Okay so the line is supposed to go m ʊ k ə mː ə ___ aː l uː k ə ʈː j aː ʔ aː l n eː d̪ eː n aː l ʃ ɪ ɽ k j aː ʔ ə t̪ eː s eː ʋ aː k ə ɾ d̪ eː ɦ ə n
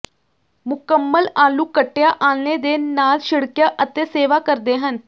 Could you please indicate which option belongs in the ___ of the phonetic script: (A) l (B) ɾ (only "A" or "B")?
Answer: A